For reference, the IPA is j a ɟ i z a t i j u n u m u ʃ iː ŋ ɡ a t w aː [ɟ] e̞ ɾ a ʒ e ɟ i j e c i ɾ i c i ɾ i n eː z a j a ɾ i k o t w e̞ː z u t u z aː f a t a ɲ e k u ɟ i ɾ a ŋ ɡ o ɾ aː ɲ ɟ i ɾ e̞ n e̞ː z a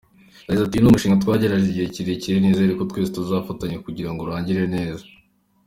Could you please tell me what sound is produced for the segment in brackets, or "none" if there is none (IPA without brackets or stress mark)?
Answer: ɟ